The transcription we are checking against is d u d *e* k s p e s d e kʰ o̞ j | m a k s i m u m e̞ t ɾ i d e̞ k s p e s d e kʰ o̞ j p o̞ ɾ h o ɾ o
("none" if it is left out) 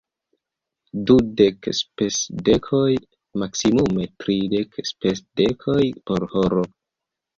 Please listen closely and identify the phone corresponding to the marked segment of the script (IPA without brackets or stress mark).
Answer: e